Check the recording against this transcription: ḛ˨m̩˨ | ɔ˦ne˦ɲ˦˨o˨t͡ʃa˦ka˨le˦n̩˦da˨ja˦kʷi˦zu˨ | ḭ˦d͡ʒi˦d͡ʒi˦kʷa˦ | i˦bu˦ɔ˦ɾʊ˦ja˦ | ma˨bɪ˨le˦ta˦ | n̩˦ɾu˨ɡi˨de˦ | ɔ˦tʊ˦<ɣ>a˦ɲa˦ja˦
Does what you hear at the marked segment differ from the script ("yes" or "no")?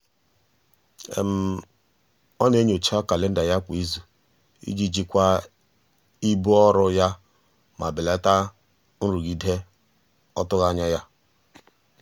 no